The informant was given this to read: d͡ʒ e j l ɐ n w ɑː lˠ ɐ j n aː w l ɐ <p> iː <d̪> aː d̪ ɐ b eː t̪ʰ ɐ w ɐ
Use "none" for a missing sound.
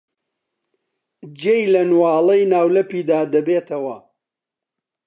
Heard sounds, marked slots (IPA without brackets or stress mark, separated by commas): p, d̪